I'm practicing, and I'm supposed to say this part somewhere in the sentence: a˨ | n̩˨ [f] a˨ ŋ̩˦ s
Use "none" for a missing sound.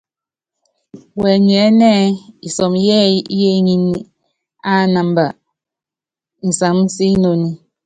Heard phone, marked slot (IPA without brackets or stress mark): s